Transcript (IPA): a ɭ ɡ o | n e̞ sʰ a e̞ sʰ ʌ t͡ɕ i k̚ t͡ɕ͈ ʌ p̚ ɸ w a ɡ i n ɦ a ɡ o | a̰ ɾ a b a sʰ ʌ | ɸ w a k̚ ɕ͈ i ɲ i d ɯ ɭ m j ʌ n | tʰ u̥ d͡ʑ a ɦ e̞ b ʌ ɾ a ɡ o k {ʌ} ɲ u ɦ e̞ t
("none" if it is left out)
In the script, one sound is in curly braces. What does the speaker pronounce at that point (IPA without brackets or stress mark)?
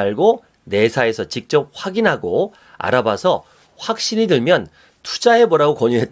ʌ